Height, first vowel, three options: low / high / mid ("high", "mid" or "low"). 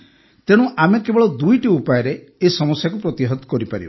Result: mid